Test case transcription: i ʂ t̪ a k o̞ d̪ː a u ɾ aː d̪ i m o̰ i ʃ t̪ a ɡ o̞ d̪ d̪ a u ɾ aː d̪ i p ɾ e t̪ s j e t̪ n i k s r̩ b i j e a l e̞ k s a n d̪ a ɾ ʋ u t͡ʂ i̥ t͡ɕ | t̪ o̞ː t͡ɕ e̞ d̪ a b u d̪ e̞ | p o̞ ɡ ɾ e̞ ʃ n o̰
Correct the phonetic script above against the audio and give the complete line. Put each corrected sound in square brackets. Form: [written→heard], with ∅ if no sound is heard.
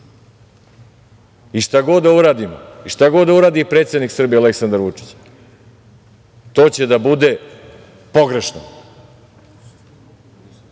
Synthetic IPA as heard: i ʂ t̪ a [k→ɡ] o̞ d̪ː a u ɾ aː d̪ i m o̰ i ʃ t̪ a ɡ o̞ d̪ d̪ a u ɾ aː d̪ i p ɾ e t̪ s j e [t̪→d̪] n i k s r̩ b i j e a l e̞ k s a n d̪ a ɾ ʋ u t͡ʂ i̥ t͡ɕ | t̪ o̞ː t͡ɕ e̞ d̪ a b u d̪ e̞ | p o̞ ɡ ɾ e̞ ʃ n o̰